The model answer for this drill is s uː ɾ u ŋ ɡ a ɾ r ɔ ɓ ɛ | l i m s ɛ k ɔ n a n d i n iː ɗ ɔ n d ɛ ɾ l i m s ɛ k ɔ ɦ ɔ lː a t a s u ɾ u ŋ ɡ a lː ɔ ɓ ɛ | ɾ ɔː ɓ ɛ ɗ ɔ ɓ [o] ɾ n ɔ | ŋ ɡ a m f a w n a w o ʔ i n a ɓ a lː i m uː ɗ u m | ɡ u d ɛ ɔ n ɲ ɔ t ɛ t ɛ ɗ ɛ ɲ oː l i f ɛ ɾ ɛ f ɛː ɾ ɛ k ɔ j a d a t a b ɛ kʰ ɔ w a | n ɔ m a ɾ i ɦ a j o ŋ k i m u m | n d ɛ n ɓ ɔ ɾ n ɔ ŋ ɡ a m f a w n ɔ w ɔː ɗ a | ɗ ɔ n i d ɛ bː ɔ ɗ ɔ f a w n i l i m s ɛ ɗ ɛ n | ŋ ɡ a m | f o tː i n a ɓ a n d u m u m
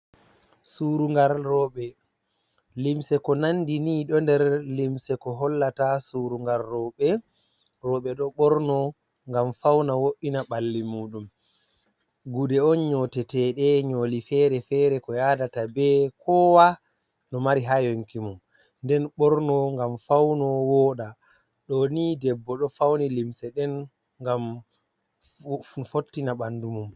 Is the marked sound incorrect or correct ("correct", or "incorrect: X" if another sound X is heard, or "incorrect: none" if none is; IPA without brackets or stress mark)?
incorrect: ɔ